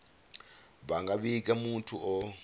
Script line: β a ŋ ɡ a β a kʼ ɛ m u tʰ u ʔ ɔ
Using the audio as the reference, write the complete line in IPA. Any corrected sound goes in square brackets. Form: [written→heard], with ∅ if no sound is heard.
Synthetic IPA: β a ŋ ɡ a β [a→i] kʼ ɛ m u tʰ u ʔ ɔ

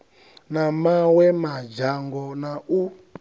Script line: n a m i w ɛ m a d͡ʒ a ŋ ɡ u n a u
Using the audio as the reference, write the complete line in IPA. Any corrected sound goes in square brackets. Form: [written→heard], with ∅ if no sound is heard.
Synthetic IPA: n a m [i→a] w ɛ m a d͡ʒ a ŋ ɡ [u→ɔ] n a u

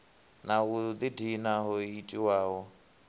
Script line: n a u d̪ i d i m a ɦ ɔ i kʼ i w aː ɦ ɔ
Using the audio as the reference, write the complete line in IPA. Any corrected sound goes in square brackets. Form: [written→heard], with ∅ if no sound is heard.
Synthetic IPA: n a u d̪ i d i [m→n] a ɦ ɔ i [kʼ→tʼ] i w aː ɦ ɔ

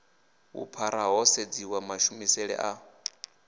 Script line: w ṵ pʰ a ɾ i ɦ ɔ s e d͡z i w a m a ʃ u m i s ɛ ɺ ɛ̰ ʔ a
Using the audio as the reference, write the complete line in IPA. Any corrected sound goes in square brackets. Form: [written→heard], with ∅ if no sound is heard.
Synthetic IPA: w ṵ pʰ a ɾ [i→a] ɦ ɔ s e d͡z i w a m a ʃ u m i s ɛ ɺ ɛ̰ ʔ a

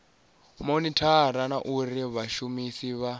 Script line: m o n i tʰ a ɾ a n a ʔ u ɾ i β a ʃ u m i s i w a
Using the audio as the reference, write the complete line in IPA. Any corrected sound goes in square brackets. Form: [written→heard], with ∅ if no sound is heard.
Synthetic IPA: m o n i tʰ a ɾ a n a ʔ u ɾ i β a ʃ u m i s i [w→β] a

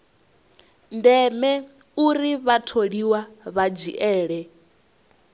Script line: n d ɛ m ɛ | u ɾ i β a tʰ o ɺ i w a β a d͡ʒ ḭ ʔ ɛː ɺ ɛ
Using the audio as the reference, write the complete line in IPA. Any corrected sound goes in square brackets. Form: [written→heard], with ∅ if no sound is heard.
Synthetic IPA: n d ɛ m ɛ | u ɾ i β a tʰ o ɺ i w a β a d͡ʒ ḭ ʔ ɛː ɺ ɛ

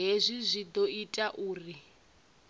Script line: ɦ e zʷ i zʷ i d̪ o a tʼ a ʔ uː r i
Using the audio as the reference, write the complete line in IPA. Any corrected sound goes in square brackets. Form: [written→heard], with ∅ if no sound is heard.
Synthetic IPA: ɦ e zʷ i zʷ i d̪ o [a→i] tʼ a ʔ uː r i

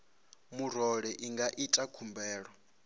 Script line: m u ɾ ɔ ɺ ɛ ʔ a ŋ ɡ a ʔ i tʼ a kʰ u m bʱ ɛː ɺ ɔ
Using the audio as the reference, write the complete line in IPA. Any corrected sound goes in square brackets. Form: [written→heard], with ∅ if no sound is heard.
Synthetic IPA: m u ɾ ɔ ɺ ɛ ʔ [a→i] ŋ ɡ a ʔ i tʼ a kʰ u m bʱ ɛː ɺ ɔ

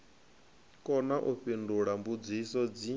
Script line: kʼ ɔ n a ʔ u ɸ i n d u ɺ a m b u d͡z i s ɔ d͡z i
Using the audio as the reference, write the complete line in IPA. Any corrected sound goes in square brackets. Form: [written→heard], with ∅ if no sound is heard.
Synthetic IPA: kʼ ɔ n a ʔ u ɸ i n d u ɺ a m b u d͡z i s ɔ d͡z i

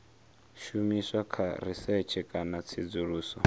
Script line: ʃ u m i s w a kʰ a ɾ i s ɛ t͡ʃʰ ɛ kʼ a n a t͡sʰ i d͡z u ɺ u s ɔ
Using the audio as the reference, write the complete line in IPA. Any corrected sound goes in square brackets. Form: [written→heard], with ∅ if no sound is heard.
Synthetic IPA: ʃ u m i s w a kʰ a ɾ i s ɛ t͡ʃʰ ɛ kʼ a n a t͡sʰ i d͡z u ɺ [u→uː] s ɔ

